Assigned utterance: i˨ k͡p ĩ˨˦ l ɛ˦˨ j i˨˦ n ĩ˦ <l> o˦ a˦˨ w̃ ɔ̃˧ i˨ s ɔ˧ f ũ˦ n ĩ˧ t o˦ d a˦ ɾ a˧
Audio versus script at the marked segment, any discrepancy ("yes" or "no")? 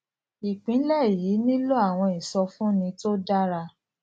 no